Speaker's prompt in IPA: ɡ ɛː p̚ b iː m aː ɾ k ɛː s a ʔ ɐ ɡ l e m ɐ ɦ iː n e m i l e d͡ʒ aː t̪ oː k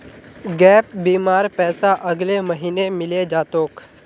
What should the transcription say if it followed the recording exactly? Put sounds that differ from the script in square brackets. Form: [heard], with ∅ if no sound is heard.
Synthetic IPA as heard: ɡ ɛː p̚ b iː m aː ɾ [p] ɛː s a ʔ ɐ ɡ l e m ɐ ɦ iː n e m [ɪ] l e d͡ʒ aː t̪ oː k